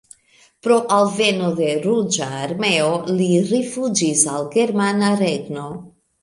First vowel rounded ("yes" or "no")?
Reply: yes